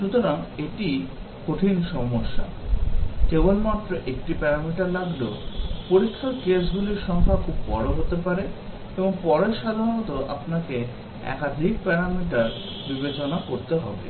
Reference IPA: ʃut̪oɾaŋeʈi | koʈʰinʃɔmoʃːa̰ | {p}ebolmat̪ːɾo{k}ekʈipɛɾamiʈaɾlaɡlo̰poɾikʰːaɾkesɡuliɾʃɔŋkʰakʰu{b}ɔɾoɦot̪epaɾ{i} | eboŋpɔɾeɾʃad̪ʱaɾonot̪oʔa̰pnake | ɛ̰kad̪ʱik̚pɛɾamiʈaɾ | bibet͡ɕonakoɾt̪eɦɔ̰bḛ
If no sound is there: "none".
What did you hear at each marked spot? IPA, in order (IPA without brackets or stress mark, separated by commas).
k, ʔ, bː, e